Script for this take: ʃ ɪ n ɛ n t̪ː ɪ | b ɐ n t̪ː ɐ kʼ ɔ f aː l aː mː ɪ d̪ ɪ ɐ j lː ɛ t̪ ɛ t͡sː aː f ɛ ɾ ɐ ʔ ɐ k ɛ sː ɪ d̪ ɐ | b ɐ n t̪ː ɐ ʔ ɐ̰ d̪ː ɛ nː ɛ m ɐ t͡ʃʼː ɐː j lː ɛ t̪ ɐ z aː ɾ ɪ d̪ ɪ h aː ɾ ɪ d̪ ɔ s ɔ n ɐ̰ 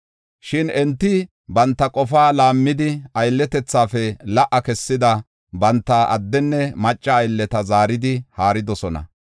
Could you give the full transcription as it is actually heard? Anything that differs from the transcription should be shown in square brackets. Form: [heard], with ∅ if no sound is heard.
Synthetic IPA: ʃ ɪ n ɛ n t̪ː ɪ | b ɐ n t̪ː ɐ kʼ ɔ f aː l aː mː ɪ d̪ ɪ ɐ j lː ɛ t̪ ɛ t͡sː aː f ɛ [l] ɐ ʔ ɐ k ɛ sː ɪ d̪ ɐ | b ɐ n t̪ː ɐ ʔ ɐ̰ d̪ː ɛ nː ɛ m ɐ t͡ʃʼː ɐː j lː ɛ t̪ ɐ z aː ɾ ɪ d̪ ɪ h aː ɾ ɪ d̪ ɔ s ɔ n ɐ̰